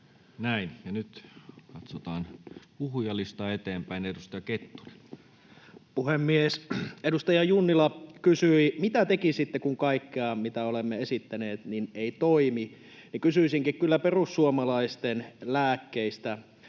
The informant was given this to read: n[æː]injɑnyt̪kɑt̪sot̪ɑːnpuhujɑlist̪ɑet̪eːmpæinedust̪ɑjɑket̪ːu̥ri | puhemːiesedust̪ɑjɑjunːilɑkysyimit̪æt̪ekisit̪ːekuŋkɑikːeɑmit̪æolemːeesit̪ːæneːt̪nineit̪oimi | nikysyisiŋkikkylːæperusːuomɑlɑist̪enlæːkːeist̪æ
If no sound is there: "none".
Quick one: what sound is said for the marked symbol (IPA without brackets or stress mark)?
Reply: æ